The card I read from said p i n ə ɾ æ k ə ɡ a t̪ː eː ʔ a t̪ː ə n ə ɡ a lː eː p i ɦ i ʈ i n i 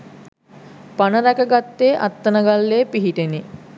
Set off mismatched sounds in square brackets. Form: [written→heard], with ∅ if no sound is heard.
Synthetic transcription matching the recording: p [i→a] n ə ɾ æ k ə ɡ a t̪ː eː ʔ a t̪ː ə n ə ɡ a lː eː p i ɦ i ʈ [i→e] n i